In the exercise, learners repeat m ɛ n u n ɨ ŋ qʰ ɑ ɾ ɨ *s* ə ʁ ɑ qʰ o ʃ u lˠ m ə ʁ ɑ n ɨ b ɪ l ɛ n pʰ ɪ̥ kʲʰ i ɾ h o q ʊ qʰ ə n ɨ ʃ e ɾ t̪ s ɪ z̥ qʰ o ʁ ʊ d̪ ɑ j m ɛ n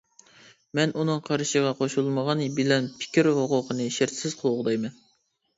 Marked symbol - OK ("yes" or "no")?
no